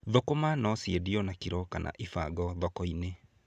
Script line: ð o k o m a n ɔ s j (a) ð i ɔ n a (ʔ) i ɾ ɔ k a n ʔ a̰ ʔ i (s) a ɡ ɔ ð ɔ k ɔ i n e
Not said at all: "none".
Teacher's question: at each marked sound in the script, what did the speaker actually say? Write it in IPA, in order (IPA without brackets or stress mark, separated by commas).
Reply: e, k, f